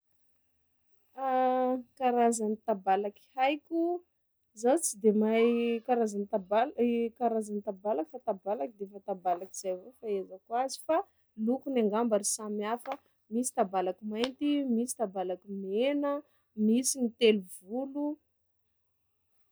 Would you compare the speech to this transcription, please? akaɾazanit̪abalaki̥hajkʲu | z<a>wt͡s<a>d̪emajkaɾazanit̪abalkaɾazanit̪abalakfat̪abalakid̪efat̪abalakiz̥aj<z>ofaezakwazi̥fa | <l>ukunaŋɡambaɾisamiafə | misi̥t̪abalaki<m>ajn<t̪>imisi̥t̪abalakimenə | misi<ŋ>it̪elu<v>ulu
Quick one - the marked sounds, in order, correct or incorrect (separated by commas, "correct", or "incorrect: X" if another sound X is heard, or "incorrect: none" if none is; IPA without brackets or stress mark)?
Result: correct, incorrect: i, incorrect: v, correct, correct, correct, incorrect: n, correct